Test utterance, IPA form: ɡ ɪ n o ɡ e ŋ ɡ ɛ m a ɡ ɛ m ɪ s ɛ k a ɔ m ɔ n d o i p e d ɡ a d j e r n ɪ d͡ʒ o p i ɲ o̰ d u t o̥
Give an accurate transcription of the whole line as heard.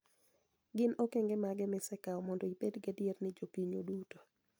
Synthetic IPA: ɡ ɪ n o k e ŋ ɡ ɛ m a ɡ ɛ m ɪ s ɛ k a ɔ m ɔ n d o i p e d ɡ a d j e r n ɪ d͡ʒ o p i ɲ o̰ d u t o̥